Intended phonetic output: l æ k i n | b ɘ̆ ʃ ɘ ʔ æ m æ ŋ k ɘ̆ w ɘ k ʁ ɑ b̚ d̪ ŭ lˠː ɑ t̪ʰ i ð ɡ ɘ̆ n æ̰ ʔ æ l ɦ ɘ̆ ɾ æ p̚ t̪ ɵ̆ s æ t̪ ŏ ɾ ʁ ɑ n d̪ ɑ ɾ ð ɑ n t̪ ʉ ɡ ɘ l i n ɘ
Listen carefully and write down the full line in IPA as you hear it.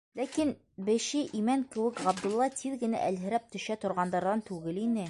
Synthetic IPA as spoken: l æ k i n | b ɘ̆ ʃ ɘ ʔ i m æ ŋ k ɘ̆ w ɘ k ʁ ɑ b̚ d̪ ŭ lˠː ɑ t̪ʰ i ð ɡ ɘ̆ n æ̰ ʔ æ l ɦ ɘ̆ ɾ æ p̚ t̪ ɵ̆ ʃ æ t̪ ŏ ɾ ʁ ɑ n d̪ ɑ ɾ ð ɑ n t̪ ʉ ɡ ɘ l i n ɘ